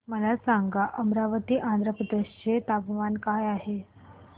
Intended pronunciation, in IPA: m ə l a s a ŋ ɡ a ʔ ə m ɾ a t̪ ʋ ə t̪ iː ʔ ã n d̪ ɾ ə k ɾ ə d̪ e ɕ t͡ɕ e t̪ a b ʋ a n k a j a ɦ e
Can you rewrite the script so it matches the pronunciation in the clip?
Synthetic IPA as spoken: m ə l a s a ŋ ɡ a ʔ ə m ɾ a ʋ ə t̪ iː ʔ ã n d̪ ɾ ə p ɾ ə d̪ e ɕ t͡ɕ e t̪ a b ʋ a n k a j a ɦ e